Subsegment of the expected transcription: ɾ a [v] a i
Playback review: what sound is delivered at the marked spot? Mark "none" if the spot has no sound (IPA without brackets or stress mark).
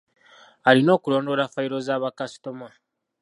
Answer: f